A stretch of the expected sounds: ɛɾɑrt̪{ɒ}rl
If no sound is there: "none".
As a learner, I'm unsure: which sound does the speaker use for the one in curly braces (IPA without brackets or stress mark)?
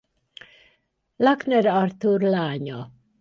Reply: u